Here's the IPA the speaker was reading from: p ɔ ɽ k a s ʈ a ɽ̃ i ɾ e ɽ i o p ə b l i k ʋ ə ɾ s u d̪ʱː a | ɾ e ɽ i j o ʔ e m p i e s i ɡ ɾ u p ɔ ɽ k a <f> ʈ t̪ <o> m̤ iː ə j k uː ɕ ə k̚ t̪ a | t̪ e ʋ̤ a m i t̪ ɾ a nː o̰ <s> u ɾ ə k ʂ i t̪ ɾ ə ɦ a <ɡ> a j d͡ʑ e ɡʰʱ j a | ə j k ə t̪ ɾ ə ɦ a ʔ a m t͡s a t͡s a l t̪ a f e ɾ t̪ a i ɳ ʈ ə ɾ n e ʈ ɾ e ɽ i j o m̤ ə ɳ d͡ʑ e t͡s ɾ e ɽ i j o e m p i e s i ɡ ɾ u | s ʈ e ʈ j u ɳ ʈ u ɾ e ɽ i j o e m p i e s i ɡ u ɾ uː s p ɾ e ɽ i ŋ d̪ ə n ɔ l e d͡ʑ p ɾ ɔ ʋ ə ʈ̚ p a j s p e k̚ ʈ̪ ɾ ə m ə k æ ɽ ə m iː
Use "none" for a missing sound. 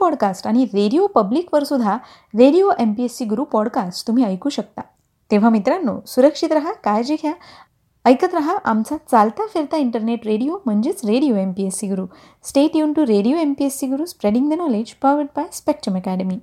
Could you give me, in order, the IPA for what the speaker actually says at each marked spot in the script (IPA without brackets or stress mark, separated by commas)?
s, u, s, k